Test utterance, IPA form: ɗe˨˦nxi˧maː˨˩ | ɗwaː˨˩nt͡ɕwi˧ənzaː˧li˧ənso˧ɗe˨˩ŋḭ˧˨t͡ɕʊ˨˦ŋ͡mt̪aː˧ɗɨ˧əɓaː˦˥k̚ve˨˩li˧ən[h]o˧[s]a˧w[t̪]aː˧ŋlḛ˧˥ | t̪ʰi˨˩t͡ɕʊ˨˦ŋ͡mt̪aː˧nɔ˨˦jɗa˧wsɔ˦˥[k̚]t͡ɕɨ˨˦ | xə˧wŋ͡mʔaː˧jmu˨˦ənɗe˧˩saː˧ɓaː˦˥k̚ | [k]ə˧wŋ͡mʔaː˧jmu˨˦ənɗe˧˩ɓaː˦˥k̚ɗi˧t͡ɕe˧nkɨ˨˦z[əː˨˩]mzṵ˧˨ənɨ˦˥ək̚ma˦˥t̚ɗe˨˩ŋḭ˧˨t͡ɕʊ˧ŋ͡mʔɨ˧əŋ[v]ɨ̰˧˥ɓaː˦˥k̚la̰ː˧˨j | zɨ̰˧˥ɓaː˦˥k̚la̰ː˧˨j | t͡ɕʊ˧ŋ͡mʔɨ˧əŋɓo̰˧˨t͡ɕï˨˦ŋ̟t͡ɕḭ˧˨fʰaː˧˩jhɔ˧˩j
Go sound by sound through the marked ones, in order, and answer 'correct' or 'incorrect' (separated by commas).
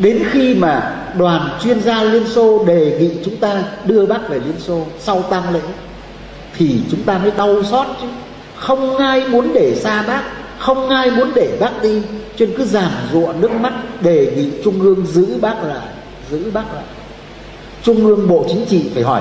incorrect, correct, correct, incorrect, incorrect, incorrect, incorrect